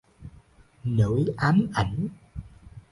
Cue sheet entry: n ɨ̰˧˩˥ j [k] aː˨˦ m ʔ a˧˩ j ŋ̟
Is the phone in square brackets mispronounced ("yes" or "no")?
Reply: yes